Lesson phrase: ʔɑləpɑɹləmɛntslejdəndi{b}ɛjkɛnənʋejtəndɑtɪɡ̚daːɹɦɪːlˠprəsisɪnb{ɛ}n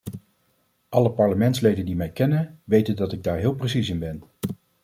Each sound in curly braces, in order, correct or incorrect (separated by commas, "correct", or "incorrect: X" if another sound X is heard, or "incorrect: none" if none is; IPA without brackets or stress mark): incorrect: m, correct